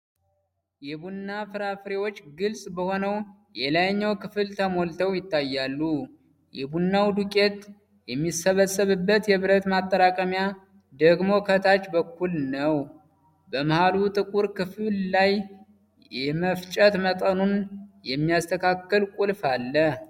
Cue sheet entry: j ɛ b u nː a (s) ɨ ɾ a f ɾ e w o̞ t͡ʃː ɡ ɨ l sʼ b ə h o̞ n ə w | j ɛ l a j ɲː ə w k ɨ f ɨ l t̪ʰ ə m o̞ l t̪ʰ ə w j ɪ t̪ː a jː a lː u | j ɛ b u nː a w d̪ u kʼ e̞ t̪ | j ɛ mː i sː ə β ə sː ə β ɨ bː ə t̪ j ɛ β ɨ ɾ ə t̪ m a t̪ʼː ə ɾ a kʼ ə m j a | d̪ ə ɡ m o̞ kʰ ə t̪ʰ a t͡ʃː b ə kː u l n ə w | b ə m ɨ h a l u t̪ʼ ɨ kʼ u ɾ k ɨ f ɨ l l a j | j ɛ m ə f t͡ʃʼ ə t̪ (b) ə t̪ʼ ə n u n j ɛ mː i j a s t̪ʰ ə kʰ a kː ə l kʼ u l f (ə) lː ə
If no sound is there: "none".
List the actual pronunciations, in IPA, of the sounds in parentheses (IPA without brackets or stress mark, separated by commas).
f, m, a